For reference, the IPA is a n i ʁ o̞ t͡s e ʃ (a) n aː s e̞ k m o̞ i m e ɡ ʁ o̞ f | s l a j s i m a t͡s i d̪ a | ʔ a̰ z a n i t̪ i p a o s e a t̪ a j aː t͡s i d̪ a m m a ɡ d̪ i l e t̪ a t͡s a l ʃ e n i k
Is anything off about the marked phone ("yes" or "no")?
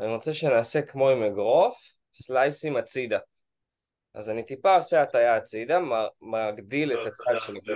yes